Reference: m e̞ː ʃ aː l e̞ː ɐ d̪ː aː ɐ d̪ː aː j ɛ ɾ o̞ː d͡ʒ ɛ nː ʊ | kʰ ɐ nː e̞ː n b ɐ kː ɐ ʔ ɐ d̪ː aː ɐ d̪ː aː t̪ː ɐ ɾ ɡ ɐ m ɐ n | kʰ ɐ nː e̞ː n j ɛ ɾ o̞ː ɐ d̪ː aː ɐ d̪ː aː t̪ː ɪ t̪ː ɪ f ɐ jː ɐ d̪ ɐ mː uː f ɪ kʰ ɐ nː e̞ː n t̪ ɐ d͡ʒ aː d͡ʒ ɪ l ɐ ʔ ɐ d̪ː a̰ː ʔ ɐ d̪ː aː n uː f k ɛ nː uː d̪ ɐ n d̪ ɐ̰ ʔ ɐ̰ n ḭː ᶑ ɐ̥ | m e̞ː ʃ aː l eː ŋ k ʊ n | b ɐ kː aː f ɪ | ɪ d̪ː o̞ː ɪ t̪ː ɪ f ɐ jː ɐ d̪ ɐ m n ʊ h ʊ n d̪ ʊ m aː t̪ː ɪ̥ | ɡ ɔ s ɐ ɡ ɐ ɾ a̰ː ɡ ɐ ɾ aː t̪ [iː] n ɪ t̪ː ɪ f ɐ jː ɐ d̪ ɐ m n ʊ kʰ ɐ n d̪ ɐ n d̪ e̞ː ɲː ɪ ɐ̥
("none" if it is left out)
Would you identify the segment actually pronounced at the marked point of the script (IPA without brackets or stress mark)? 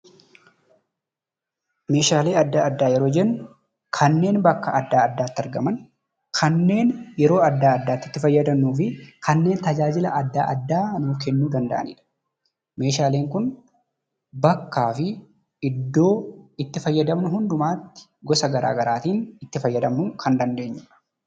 iː